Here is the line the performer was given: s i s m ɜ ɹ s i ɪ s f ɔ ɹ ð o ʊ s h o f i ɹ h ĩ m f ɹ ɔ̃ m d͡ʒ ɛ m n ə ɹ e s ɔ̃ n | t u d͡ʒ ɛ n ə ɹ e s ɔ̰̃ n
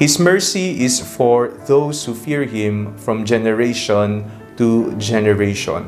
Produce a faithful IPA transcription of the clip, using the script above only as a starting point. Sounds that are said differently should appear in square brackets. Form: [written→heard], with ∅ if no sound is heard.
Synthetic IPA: [s→h] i s m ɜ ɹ s i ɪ s f ɔ ɹ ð o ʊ s h [o→u] f i ɹ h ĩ m f ɹ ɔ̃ m d͡ʒ ɛ [m→∅] n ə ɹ e [s→ʃ] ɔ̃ n | t u d͡ʒ ɛ n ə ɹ e [s→ʃ] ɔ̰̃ n